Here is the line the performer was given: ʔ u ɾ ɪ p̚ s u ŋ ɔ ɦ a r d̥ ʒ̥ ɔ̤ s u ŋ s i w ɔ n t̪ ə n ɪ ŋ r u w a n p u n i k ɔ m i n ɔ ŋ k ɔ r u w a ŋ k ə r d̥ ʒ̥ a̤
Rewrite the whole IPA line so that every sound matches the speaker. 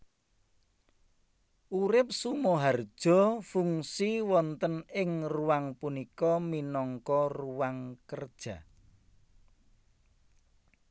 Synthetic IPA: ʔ u ɾ ɪ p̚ s u m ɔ ɦ a r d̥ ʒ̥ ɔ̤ f u ŋ s i w ɔ n t̪ ə n ɪ ŋ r u w a ŋ p u n i k ɔ m i n ɔ ŋ k ɔ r u w a ŋ k ə r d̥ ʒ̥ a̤